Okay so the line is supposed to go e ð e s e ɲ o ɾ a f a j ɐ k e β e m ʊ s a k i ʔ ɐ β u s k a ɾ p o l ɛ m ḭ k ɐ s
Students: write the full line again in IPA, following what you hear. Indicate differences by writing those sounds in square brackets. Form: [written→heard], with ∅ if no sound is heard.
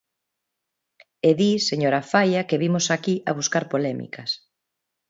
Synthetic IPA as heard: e ð [e→i] s e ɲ o ɾ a f a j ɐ k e β [e→i] m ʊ s a k i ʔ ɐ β u s k a ɾ p o l ɛ m ḭ k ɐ s